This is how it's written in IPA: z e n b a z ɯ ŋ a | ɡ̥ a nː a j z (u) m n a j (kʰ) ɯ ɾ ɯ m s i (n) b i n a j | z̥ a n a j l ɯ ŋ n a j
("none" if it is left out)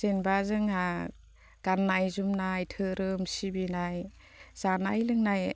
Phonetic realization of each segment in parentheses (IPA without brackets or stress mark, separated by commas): u, tʰ, none